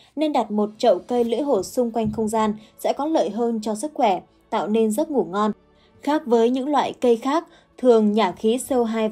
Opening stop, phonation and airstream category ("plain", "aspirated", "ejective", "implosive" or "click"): implosive